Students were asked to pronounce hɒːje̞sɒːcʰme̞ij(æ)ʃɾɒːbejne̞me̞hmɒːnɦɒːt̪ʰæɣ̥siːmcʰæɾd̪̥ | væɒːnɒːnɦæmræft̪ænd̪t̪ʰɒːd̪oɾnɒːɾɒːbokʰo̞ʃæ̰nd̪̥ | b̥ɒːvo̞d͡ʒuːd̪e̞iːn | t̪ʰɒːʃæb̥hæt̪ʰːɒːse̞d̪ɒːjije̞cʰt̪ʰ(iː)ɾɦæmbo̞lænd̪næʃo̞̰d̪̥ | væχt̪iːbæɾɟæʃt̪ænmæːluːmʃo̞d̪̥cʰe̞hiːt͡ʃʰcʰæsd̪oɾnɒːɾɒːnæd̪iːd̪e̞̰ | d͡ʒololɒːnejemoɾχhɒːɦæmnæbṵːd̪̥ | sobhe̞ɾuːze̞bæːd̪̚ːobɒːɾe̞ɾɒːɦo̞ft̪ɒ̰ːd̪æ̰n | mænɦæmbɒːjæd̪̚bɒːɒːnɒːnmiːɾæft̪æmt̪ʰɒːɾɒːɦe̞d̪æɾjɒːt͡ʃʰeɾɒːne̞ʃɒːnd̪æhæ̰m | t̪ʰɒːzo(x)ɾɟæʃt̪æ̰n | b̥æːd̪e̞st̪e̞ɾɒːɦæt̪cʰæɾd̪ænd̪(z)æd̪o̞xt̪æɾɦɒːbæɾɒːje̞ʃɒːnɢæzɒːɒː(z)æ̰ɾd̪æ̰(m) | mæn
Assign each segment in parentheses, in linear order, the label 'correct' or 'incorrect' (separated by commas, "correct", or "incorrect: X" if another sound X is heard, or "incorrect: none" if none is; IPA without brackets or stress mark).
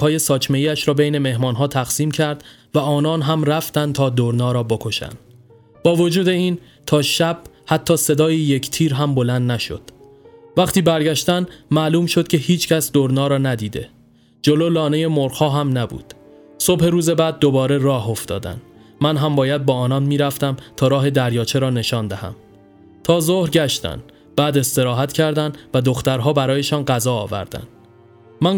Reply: correct, correct, incorrect: h, incorrect: v, incorrect: v, incorrect: n